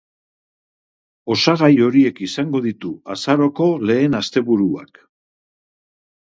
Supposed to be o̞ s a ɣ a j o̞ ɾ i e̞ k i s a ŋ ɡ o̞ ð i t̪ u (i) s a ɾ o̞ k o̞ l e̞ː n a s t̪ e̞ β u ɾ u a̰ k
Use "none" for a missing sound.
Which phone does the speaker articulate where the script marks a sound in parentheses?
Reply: a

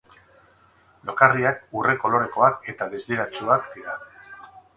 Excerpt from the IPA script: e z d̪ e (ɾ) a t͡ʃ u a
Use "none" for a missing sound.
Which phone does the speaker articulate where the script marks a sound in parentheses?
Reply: ɾ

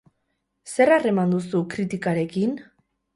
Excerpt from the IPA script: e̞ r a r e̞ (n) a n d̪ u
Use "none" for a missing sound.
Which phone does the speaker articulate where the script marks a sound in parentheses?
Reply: m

